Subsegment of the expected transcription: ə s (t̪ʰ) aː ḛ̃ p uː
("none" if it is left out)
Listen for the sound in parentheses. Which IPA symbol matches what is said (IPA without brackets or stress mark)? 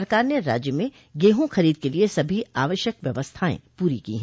t̪ʰ